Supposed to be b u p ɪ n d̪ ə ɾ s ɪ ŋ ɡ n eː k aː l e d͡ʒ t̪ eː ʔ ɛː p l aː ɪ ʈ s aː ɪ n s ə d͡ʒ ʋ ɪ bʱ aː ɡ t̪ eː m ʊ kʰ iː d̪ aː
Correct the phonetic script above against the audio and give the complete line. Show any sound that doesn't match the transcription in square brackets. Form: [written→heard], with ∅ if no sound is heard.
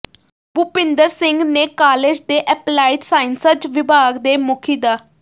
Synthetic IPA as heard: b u p ɪ n d̪ ə ɾ s ɪ ŋ ɡ n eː k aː l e d͡ʒ [t̪→d̪] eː ʔ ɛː p l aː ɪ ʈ s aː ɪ n s ə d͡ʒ ʋ ɪ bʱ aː ɡ [t̪→d̪] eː m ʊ kʰ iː d̪ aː